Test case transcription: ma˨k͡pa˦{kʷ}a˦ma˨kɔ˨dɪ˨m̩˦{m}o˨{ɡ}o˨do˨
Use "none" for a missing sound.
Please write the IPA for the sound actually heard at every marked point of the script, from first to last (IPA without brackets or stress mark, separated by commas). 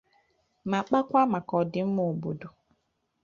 kʷ, m, b